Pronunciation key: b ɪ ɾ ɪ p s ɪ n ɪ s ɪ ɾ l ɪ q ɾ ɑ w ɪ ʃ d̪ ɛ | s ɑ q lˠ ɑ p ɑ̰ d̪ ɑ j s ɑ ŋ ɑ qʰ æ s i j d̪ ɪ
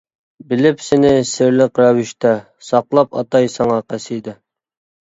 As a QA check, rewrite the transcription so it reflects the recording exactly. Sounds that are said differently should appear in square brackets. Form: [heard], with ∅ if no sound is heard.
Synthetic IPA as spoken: b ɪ [l] ɪ p s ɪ n ɪ s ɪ ɾ l ɪ q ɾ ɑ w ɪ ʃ [t̪] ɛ | s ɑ q lˠ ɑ p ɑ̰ [t̪] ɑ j s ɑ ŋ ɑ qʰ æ s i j d̪ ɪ